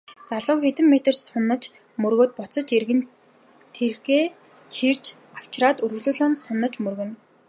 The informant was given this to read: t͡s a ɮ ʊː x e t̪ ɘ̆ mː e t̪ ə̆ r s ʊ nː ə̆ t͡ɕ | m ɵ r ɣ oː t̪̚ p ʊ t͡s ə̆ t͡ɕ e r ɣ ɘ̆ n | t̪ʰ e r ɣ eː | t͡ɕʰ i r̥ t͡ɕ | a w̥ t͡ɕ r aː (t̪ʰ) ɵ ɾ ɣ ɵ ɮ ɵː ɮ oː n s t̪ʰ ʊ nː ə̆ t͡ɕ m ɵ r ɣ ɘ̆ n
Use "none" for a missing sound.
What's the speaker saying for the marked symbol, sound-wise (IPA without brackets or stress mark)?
t̪